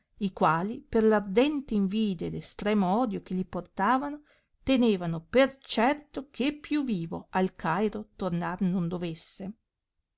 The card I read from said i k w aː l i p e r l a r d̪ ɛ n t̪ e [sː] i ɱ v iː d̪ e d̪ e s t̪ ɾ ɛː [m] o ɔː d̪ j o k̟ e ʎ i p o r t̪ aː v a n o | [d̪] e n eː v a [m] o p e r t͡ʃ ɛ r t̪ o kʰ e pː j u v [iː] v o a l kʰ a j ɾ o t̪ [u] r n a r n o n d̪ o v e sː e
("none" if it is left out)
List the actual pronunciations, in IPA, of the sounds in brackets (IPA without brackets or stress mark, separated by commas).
none, m, t̪, n, iː, o